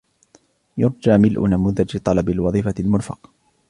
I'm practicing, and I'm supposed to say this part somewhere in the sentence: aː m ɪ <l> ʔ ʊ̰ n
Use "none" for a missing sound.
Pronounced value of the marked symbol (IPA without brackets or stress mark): l